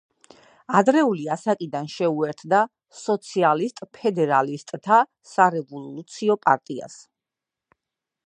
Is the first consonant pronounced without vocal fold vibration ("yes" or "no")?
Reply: no